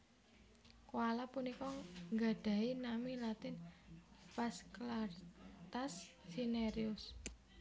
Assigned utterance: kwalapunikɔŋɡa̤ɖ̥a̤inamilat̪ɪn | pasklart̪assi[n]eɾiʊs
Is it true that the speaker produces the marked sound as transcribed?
yes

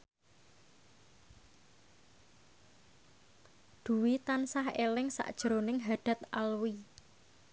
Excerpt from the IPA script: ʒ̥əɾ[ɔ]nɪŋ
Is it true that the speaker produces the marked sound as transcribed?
no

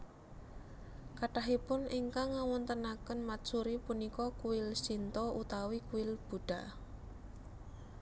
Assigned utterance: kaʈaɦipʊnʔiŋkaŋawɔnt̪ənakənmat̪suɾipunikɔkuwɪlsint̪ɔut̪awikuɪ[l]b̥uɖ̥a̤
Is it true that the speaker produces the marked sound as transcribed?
yes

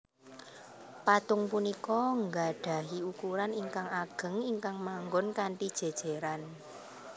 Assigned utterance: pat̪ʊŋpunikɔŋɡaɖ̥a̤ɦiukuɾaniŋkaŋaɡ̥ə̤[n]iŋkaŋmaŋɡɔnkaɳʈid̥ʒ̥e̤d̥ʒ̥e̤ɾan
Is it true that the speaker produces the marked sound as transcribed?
no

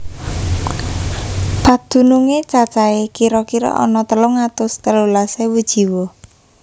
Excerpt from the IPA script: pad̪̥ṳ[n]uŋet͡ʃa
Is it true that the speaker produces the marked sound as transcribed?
yes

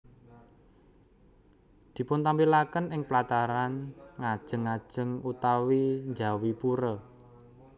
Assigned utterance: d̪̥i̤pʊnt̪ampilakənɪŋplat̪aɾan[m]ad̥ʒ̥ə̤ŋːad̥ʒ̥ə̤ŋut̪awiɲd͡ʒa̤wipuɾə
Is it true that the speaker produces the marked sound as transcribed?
no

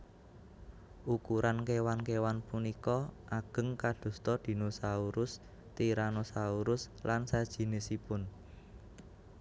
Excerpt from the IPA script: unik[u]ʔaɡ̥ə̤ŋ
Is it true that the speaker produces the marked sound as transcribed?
no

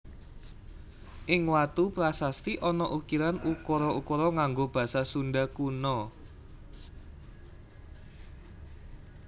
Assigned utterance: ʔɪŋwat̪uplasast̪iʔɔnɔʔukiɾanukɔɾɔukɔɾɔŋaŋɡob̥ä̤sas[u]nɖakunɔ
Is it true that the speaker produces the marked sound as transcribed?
yes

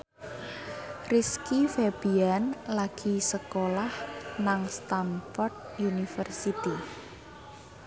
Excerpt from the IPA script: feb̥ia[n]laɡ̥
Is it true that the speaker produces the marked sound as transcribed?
yes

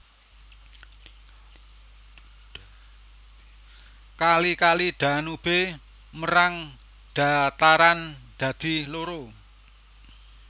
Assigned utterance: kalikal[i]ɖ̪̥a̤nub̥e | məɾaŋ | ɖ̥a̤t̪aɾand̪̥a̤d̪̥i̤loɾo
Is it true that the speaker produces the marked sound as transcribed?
yes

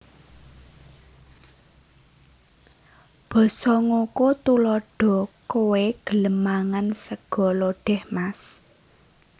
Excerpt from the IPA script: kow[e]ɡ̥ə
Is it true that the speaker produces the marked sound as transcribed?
yes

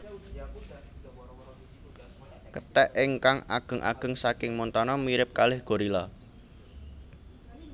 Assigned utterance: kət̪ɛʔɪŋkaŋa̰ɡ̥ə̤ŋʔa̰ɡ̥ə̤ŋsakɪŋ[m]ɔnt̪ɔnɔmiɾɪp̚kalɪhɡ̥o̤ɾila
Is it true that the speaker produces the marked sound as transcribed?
yes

